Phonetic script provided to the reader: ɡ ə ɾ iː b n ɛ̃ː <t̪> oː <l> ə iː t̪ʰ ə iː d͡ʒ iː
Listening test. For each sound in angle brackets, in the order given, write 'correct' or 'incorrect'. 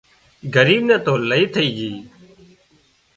correct, correct

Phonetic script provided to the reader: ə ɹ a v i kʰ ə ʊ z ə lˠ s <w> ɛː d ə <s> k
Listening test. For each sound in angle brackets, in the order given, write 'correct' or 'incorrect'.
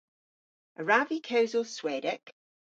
correct, incorrect: none

